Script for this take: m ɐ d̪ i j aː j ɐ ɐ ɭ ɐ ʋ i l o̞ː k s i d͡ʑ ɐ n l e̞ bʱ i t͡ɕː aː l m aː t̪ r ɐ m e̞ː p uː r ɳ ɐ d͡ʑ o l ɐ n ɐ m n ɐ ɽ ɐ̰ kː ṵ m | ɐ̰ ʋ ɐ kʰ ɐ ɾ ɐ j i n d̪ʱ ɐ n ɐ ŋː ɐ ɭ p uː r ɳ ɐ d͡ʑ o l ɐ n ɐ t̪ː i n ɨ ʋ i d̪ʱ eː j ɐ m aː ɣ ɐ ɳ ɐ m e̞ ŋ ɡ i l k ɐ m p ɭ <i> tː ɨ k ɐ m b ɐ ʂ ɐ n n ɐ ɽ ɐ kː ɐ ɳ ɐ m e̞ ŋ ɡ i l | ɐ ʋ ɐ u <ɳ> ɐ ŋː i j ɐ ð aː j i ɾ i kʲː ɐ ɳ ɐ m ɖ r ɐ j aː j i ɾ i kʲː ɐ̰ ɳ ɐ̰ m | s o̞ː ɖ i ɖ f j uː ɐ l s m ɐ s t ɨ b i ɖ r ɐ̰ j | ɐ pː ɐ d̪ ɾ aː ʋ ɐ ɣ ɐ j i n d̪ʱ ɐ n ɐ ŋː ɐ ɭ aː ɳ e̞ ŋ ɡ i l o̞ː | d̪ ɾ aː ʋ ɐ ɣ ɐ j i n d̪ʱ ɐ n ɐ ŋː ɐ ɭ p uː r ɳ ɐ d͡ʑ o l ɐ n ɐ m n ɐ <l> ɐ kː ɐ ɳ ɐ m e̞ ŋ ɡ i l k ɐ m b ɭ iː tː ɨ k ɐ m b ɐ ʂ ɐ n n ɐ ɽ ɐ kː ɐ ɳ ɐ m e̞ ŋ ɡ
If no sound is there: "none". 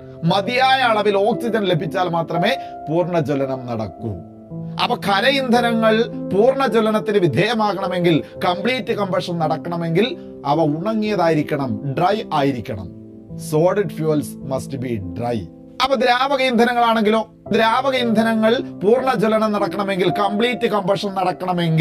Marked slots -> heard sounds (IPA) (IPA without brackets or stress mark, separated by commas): iː, ɳ, ɽ